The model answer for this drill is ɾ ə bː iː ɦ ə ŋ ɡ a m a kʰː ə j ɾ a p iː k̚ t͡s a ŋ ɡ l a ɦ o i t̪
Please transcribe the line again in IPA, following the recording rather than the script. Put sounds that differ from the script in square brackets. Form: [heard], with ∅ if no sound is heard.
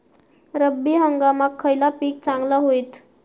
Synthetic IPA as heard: ɾ ə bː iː ɦ ə ŋ ɡ a m a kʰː ə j [l] a p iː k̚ t͡s a ŋ ɡ l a ɦ o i t̪

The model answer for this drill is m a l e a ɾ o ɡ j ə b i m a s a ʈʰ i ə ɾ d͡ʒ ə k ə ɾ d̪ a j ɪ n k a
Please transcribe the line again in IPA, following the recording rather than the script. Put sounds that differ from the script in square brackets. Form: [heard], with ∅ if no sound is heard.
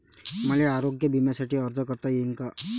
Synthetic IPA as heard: m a l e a ɾ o ɡ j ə b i m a s a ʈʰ i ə ɾ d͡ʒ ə k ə ɾ [t̪] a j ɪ n k a

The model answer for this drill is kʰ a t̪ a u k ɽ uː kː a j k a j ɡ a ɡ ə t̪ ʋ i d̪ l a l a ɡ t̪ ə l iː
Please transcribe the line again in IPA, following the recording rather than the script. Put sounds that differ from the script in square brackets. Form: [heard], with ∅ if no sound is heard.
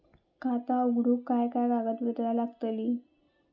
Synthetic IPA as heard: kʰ a t̪ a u [ɡ] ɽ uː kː a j k a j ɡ a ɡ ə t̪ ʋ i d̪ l a l a ɡ t̪ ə l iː

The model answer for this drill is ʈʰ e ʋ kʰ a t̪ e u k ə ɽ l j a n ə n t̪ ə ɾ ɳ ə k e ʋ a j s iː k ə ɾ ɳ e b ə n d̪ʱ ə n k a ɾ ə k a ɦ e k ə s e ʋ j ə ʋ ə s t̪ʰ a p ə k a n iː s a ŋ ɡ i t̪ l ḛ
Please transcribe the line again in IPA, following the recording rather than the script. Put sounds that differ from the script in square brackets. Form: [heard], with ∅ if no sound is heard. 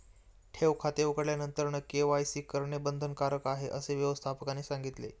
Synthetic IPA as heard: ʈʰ e ʋ kʰ a t̪ e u k ə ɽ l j a n ə n t̪ ə ɾ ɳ ə k e ʋ a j s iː k ə ɾ ɳ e b ə n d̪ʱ ə n k a ɾ ə k a ɦ e [ʔ] ə s e ʋ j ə ʋ ə s t̪ʰ a p ə k a n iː s a ŋ ɡ i t̪ l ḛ

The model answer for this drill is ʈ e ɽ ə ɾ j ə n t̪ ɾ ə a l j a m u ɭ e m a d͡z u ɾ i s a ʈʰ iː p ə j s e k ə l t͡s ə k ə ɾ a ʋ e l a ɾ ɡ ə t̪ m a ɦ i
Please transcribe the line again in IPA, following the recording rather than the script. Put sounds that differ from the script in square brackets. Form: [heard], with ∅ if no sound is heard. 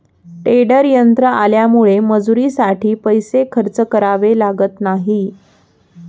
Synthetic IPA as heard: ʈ e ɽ ə ɾ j ə n t̪ ɾ ə a l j a m u ɭ e m [ə] d͡z u ɾ i s a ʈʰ iː p ə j s e [kʰ] ə [ɾ] t͡s ə k ə ɾ a ʋ e l a [∅] ɡ ə t̪ [n] a ɦ i

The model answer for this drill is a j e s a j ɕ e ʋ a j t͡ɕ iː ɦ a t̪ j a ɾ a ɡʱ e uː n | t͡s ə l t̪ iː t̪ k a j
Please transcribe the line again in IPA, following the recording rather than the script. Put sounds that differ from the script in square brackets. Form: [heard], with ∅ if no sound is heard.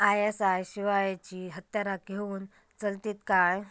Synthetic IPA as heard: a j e s a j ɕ [i] ʋ a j t͡ɕ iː ɦ [ə] t̪ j a ɾ a ɡʱ e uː n | t͡s ə l t̪ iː t̪ k a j

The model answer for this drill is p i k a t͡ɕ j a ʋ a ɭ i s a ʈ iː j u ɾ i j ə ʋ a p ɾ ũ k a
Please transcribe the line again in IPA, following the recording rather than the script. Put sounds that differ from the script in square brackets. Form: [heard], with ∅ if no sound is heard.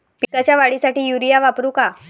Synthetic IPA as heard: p i k a t͡ɕ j a ʋ a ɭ i s a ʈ iː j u ɾ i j [a] ʋ a p ɾ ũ k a

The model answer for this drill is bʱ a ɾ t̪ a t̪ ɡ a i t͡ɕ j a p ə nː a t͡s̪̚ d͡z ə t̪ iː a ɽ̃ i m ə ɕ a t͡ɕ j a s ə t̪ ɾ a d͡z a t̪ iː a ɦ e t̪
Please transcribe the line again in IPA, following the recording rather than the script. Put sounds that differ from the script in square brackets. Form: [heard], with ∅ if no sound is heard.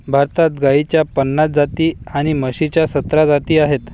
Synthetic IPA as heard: bʱ a ɾ t̪ a t̪ ɡ a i t͡ɕ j a p ə nː a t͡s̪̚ d͡z [a] t̪ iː a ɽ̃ i m ə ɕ [i] t͡ɕ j a s ə t̪ ɾ a d͡z a t̪ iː a ɦ e t̪

